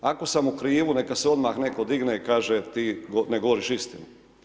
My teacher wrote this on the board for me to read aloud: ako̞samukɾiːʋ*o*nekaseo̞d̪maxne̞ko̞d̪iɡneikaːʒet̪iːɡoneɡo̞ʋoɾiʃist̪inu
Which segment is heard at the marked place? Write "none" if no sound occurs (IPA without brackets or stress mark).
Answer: u